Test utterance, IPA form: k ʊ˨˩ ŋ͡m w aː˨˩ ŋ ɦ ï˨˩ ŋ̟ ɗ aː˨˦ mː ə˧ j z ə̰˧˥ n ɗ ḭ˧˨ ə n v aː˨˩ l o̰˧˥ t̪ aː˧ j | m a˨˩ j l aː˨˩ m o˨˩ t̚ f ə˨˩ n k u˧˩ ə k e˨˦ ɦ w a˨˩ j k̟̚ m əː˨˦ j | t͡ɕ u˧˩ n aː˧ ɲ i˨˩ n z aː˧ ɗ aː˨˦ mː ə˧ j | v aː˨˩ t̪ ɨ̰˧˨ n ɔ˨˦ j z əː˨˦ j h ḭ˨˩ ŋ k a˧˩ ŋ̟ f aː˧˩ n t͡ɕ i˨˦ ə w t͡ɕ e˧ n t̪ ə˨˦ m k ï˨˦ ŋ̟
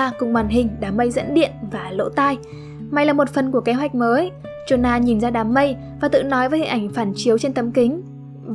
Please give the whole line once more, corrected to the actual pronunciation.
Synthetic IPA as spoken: k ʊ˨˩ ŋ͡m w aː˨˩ n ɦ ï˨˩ ŋ̟ ɗ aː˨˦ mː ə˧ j z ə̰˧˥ n ɗ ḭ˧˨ ə n v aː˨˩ l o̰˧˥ t̪ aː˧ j | m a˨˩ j l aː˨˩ m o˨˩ t̚ f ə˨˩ n k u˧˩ ə k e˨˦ ɦ w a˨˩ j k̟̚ m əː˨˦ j | t͡ɕ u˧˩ n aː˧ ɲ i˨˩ n z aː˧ ɗ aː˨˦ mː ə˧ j | v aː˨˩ t̪ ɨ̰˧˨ n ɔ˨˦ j v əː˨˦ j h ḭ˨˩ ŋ ʔ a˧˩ ŋ̟ f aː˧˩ n t͡ɕ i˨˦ ə w t͡ɕ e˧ n t̪ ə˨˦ m k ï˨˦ ŋ̟